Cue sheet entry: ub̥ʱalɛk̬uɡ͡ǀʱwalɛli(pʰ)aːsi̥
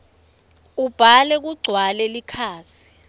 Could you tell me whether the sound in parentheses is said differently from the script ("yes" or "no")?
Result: yes